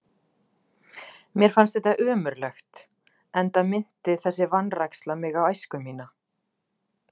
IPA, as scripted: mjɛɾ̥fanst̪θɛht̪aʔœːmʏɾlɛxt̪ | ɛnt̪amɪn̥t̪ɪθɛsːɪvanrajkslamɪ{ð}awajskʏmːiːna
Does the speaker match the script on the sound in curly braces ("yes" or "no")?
no